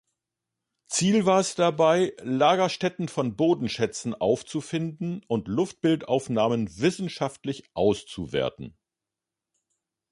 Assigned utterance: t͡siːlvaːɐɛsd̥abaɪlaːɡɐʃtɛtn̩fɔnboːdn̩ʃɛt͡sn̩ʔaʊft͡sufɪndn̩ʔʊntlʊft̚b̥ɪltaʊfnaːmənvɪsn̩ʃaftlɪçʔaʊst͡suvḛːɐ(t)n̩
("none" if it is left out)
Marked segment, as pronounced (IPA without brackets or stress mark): t